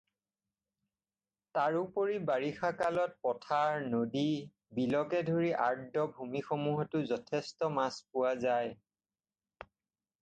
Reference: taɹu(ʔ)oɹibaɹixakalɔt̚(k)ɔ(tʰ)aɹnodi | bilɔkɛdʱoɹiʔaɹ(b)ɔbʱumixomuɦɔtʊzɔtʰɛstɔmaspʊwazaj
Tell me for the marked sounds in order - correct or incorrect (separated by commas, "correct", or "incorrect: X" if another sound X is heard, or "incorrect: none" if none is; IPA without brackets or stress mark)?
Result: incorrect: p, incorrect: p, correct, incorrect: d